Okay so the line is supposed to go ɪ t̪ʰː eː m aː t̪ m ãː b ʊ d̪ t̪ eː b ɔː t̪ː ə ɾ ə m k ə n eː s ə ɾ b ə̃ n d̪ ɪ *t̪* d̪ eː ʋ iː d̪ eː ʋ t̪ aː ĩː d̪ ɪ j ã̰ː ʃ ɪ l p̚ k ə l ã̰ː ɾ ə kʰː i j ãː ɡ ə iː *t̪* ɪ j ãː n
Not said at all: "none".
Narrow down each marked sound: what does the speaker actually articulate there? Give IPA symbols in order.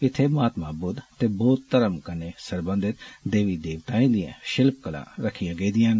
t̪, d̪

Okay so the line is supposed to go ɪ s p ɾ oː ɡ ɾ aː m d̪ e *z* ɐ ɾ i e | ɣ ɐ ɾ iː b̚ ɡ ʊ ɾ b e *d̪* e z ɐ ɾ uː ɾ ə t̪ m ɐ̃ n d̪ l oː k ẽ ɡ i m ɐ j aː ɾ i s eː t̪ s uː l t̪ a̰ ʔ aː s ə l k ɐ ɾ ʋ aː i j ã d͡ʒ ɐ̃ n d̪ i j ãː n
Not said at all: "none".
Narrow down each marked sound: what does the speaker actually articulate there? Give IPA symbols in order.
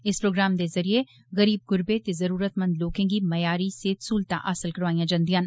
z, t̪

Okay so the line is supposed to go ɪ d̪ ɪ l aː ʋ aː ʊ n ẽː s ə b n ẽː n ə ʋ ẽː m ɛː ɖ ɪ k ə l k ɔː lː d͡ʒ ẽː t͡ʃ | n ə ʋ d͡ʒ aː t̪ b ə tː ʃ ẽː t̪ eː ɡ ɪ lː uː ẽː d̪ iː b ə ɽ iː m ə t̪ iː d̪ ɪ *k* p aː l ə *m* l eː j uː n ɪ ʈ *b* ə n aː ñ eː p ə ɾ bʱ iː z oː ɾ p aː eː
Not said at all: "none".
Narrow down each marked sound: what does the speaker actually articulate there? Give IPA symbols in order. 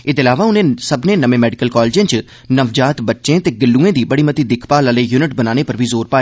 kʰ, none, b

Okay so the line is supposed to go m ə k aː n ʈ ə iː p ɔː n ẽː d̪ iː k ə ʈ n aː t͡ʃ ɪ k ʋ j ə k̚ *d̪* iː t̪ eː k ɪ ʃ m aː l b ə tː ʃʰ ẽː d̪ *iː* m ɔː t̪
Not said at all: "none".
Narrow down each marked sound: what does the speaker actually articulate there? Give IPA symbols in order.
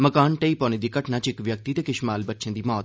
t̪, iː

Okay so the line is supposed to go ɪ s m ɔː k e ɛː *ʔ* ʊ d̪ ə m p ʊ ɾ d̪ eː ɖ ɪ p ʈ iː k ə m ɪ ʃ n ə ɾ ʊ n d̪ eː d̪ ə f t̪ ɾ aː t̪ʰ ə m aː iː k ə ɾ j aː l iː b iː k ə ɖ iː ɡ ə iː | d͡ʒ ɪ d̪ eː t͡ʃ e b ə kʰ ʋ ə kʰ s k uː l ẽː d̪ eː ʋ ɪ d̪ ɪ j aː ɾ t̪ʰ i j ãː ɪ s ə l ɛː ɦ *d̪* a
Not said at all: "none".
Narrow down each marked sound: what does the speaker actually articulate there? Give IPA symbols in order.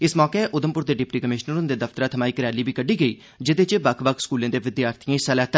ʔ, t̪

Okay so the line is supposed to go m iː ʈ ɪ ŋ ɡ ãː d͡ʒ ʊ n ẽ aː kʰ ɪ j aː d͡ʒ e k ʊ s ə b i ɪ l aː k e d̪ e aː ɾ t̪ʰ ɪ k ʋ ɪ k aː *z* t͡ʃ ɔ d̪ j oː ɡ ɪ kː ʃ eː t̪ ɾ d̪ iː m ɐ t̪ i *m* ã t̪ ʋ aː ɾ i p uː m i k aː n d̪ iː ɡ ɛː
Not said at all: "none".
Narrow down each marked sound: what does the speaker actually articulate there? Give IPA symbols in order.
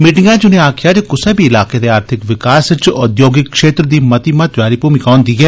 s, m

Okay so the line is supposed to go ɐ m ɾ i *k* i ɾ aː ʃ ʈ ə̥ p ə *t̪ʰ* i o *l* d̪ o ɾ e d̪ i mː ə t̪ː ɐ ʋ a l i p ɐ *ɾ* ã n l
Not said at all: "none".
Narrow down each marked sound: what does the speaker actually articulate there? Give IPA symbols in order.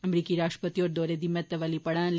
k, t̪, ɾ, ɽ

